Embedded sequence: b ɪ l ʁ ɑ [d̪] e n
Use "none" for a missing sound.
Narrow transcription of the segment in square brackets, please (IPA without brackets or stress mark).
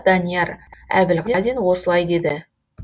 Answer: d̪